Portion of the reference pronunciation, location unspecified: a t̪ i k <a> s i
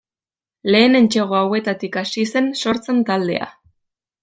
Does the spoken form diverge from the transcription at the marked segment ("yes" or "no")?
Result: no